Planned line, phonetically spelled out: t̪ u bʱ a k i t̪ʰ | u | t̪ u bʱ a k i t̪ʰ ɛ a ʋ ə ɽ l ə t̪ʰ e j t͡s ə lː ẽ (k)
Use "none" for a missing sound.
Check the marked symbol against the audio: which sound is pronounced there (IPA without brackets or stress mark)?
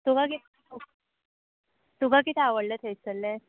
none